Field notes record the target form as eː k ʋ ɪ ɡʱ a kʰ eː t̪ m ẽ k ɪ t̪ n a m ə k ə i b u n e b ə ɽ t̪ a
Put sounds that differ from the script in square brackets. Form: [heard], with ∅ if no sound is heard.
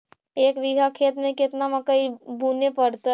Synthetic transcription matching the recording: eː k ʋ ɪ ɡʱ a kʰ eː t̪ m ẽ k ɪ t̪ n a m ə k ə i b u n e [p] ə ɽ t̪ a